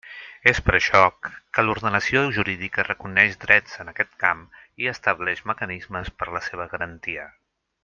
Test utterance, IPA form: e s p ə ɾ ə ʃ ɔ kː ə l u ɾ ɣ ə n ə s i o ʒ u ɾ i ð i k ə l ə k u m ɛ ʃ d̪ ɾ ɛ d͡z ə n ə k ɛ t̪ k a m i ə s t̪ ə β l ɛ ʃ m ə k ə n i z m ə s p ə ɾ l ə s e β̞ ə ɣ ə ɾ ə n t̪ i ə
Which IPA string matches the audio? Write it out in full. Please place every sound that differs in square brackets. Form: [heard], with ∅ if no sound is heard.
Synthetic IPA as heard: e s p ə ɾ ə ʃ ɔ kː ə l u ɾ [ð] ə n ə s i o ʒ u ɾ i ð i k ə [r] ə k u [n] ɛ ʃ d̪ ɾ ɛ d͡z ə n ə k ɛ t̪ k a m i ə s t̪ ə β l ɛ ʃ m ə k ə n i z m ə s p ə ɾ l ə s e β̞ ə ɣ ə ɾ ə n t̪ i ə